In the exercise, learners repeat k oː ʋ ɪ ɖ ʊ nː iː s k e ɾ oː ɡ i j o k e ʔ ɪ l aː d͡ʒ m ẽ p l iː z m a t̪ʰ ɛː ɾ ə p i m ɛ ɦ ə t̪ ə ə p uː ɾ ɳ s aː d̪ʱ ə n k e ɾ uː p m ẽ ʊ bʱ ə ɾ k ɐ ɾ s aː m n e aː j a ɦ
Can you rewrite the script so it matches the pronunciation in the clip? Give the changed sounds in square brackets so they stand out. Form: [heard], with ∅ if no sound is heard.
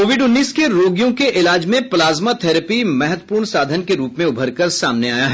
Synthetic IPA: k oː ʋ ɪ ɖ ʊ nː iː s k e ɾ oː ɡ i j [õ] k e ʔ ɪ l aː d͡ʒ m ẽ p l [aː] z m a t̪ʰ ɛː ɾ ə p i m ɛ ɦ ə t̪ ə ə p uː ɾ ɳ s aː d̪ʱ ə n k e ɾ uː p m ẽ ʊ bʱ ə ɾ k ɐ ɾ s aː m n e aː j a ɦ